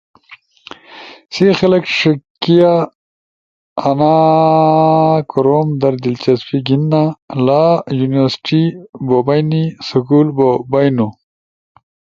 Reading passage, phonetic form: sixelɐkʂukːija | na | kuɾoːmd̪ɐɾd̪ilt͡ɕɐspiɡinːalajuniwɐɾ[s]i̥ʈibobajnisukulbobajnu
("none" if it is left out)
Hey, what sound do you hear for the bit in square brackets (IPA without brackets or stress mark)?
s